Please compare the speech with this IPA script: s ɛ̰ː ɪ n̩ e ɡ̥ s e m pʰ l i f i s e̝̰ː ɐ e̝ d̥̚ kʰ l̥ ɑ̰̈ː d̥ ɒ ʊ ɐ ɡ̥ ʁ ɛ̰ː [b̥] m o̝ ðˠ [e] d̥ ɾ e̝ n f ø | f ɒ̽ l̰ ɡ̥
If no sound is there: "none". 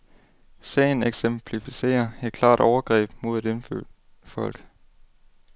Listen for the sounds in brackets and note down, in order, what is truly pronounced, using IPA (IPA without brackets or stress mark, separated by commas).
b̥, e